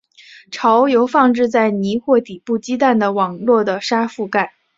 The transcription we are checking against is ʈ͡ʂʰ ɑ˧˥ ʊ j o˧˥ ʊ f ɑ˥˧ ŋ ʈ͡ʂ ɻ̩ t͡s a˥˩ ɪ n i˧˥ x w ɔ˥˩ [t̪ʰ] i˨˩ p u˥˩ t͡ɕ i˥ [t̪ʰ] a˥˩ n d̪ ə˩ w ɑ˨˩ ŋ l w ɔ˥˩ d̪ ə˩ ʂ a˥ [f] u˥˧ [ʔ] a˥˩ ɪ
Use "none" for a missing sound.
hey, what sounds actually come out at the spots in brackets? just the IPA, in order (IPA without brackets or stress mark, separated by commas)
t̪, t̪, f, k